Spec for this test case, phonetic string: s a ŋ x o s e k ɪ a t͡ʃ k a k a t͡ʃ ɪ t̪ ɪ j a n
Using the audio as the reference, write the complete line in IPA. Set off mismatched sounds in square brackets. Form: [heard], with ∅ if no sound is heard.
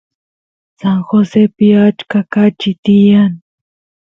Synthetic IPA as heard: s a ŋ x o s e [p] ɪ a t͡ʃ k a k a t͡ʃ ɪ t̪ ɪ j a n